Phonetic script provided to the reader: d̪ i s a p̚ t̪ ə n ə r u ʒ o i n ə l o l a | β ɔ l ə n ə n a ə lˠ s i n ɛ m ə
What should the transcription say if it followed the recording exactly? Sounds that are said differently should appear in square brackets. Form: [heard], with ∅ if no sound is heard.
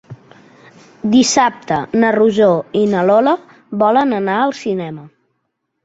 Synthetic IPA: d̪ i s a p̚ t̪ ə n ə r u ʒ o i n ə l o l [ə] | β ɔ l ə n ə n a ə lˠ s i n ɛ m ə